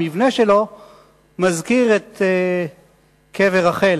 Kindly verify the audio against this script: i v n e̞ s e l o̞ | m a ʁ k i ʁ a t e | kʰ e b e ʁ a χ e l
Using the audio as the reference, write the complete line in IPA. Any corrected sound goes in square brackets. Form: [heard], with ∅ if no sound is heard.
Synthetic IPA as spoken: i v n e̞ [ʃ] e l o̞ | m a [z] k i ʁ [e] t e | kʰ e [v] e ʁ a χ e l